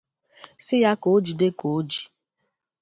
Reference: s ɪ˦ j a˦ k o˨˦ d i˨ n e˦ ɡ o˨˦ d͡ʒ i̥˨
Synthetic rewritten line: s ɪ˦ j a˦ k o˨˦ d͡ʒ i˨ d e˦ k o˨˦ d͡ʒ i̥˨

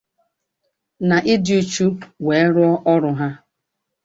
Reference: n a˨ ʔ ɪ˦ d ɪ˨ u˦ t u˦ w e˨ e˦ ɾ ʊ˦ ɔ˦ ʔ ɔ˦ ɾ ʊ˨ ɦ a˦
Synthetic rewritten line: n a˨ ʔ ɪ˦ d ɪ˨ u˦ t͡ʃ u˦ w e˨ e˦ ɾ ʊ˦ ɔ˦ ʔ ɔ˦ ɾ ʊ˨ ɦ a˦

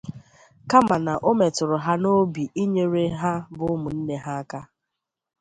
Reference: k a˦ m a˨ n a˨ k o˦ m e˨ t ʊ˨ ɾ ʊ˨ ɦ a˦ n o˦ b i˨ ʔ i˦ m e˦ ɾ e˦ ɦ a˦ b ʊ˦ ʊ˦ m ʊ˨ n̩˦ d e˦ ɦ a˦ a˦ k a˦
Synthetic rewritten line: k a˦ m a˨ n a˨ ʔ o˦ m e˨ t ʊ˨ ɾ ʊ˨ ɦ a˦ n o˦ b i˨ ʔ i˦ ɲ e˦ ɾ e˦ ɦ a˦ b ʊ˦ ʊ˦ m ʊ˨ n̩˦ n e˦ ɦ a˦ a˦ k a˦

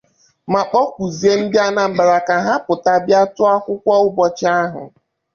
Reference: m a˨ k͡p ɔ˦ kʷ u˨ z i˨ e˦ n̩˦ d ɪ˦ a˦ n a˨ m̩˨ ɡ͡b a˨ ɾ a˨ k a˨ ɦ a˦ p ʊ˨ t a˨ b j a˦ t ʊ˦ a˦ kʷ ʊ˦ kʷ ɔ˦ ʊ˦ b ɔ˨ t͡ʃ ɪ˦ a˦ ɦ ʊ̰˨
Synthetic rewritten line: m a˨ k͡p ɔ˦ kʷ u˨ z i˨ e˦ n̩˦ d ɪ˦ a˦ n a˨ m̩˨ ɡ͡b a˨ ɾ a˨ k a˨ ɦ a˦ p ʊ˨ t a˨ b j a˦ t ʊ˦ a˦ kʷ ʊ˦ kʷ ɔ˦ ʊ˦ b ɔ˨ t͡ʃ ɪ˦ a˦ ɦ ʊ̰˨

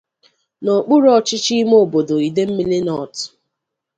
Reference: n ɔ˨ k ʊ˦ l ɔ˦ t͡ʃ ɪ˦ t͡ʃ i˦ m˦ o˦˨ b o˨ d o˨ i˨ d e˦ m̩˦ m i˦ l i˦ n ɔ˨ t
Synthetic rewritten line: n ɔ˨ k͡p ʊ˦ ɾ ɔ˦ t͡ʃ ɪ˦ t͡ʃ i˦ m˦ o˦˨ b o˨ d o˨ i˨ d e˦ m̩˦ m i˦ l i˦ n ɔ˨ t

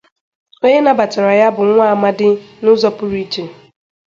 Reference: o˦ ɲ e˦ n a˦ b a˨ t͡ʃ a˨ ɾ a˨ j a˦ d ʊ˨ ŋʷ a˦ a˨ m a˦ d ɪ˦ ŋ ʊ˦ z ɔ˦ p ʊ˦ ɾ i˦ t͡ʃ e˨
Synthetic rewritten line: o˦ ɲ e˦ n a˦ b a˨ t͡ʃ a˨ ɾ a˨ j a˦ b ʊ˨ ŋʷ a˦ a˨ m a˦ d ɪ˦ n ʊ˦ z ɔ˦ p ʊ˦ ɾ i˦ t͡ʃ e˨

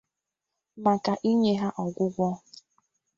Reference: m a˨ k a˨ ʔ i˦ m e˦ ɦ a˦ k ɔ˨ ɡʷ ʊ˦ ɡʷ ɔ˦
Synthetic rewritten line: m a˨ k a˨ ʔ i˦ ɲ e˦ ɦ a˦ ʔ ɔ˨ ɡʷ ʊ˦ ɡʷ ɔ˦

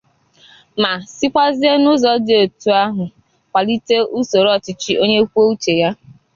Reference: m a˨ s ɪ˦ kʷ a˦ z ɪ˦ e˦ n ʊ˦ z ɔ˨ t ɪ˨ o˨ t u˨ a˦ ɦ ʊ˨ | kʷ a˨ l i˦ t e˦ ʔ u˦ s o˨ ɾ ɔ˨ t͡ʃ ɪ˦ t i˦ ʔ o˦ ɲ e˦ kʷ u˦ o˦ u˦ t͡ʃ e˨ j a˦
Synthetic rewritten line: m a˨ s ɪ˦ kʷ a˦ z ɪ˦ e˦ n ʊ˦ z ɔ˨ d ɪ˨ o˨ t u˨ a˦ ɦ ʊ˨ | kʷ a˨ l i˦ t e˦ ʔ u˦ s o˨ ɾ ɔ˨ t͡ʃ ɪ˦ t͡ʃ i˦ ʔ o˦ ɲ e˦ kʷ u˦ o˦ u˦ t͡ʃ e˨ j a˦

